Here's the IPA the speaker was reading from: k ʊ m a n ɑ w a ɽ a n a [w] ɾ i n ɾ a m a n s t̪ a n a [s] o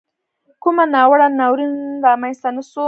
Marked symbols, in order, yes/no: yes, yes

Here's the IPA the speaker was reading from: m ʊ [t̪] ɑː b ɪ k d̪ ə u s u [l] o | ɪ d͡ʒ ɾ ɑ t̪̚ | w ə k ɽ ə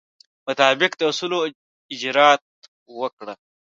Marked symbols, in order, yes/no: yes, yes

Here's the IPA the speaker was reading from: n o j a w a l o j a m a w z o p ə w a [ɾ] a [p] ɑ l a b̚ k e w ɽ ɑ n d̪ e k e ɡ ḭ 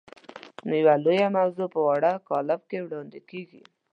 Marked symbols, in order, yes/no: no, no

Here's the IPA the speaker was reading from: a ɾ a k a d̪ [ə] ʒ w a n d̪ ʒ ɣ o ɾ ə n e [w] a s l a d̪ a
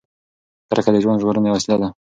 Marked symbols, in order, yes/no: yes, yes

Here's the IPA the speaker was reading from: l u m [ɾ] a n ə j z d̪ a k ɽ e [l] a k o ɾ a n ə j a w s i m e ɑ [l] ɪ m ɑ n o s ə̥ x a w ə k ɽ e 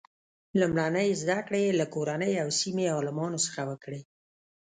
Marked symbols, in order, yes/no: no, yes, yes

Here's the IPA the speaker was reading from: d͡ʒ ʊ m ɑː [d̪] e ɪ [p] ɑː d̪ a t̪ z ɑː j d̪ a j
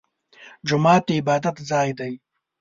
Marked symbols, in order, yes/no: no, no

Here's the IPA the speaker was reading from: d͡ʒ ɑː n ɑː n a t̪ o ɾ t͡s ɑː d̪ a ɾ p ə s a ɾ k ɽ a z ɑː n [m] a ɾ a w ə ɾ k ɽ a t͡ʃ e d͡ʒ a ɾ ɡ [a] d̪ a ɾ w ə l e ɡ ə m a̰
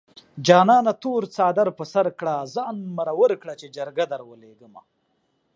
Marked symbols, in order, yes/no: yes, yes

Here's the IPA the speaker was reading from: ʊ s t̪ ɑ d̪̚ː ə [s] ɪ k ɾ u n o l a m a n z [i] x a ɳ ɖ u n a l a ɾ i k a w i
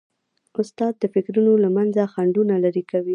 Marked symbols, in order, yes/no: no, no

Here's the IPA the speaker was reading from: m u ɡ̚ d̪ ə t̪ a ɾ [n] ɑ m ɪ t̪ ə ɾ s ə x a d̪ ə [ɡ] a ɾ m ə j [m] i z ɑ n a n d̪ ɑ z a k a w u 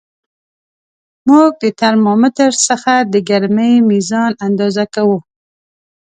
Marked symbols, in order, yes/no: no, yes, yes

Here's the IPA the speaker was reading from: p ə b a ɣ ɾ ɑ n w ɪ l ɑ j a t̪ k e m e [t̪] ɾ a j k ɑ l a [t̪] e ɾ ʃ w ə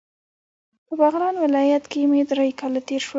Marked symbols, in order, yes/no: no, yes

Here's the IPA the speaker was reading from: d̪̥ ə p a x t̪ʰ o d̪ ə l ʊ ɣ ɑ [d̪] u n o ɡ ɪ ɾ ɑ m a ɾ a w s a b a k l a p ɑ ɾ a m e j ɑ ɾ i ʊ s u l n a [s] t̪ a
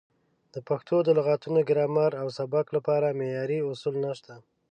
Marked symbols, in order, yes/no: no, no

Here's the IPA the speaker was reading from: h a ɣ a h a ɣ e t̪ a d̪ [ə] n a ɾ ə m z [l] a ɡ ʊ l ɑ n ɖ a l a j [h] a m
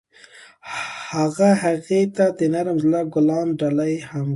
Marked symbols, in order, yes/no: yes, yes, yes

